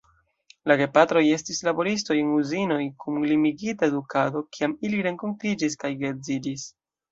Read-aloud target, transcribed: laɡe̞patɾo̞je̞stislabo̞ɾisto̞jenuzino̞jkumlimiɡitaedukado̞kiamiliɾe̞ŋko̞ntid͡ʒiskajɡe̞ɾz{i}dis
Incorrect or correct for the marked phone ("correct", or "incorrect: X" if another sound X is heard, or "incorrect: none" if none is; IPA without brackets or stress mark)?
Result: correct